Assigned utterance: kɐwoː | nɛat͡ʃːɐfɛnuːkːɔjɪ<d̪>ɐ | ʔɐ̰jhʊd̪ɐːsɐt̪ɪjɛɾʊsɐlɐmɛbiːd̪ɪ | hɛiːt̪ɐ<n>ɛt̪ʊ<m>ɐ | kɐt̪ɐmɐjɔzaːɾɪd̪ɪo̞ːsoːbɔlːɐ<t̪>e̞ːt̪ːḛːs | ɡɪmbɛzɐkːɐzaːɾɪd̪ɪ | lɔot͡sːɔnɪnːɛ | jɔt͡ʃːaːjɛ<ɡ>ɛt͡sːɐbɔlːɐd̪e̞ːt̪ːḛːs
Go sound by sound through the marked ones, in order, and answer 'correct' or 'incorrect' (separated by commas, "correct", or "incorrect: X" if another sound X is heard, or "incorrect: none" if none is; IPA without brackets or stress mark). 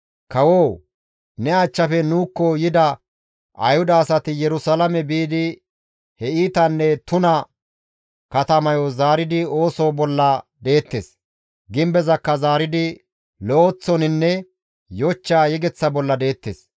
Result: correct, incorrect: nː, incorrect: n, incorrect: d̪, correct